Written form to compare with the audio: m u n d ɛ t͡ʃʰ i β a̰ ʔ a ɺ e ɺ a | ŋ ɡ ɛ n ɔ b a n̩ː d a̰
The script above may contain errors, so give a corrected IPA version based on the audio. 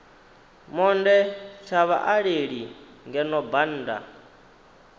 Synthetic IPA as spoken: m ɔ n d ɛ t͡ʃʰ a β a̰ ʔ a ɺ e ɺ i | ŋ ɡ ɛ n ɔ b a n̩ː d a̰